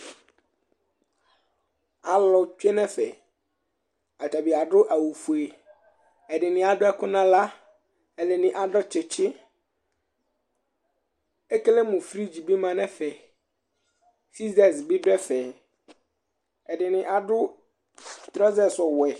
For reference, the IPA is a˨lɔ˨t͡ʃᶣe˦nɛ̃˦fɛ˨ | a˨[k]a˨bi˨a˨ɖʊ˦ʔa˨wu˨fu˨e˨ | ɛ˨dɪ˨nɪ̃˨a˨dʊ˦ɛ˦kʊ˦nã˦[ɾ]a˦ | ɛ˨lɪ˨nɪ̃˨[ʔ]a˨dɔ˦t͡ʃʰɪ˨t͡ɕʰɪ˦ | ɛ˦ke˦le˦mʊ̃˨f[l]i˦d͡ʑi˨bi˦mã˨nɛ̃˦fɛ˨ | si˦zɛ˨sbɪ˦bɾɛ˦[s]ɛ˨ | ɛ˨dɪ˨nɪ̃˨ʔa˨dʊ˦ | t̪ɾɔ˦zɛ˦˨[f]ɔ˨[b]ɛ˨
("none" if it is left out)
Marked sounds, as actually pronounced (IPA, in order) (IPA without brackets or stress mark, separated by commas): t, l, ʔ, ɾ, f, s, w